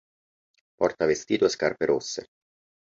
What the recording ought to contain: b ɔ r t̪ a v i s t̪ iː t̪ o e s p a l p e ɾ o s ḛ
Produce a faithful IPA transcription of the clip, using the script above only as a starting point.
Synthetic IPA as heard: p ɔ r t̪ a v e s t̪ iː t̪ o e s k a r p e ɾ o sː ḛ